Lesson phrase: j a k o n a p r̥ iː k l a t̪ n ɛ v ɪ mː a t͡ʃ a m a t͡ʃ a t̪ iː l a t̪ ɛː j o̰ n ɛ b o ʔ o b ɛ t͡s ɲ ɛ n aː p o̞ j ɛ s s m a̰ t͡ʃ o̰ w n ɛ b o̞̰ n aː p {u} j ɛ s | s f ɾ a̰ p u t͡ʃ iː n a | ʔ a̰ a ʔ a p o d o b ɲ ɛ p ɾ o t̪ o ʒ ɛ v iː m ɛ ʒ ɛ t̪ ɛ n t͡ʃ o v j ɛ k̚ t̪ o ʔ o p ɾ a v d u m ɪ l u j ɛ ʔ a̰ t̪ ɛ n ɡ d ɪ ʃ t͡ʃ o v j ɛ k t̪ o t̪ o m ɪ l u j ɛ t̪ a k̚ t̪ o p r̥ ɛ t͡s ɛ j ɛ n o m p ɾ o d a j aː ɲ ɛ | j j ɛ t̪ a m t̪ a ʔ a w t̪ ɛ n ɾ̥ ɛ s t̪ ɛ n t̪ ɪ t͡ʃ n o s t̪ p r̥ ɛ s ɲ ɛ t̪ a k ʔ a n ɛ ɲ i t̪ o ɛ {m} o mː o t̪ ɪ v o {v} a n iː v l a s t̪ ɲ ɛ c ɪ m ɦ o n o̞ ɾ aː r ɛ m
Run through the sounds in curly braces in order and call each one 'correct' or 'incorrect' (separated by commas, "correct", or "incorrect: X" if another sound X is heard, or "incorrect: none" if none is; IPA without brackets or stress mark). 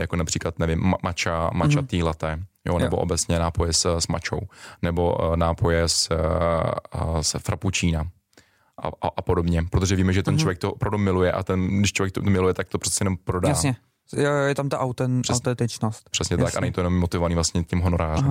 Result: incorrect: o, incorrect: n, correct